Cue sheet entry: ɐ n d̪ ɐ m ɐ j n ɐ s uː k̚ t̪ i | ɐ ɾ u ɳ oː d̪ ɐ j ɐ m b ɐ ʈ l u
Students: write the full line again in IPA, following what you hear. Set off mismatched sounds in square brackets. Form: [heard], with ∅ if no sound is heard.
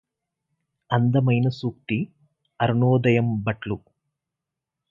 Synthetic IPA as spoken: ɐ n d̪ ɐ m ɐ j n ɐ s uː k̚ t̪ i | ɐ ɾ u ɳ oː d̪ ɐ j ɐ m b ɐ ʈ l u